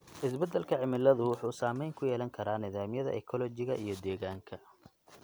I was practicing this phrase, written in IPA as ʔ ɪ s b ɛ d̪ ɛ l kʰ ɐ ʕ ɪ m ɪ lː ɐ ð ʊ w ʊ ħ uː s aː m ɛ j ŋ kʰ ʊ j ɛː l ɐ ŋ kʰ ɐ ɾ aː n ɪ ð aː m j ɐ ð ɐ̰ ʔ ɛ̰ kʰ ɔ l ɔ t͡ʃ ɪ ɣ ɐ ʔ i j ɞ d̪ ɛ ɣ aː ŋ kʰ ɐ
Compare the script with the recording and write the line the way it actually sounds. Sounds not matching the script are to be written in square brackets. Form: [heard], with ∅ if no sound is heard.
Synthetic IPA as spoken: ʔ ɪ s b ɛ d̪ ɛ l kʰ ɐ ʕ ɪ m ɪ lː ɐ ð ʊ w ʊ ħ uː s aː m ɛ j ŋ kʰ ʊ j ɛː l ɐ ŋ kʰ ɐ ɾ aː n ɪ ð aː m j ɐ ð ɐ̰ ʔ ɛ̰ kʰ ɔ l ɔ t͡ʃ ɪ ɣ ɐ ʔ i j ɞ d̪ [ɛː] ɣ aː ŋ kʰ ɐ